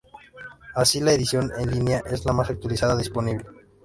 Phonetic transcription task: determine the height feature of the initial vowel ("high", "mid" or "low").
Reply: low